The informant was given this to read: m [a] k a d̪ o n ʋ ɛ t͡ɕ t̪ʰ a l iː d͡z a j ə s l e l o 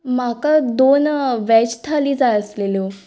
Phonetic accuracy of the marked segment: correct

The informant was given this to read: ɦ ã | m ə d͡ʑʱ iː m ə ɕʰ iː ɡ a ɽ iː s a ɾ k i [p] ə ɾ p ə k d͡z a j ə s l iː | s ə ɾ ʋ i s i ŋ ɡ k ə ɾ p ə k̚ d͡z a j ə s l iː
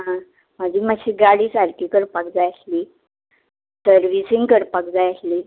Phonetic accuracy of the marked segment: incorrect: k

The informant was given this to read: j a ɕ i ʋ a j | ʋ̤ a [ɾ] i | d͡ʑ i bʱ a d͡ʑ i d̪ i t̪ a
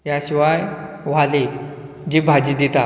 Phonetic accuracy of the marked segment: incorrect: l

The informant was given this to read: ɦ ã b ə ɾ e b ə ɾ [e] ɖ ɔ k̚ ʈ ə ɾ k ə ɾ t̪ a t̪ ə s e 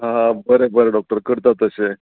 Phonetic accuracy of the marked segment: correct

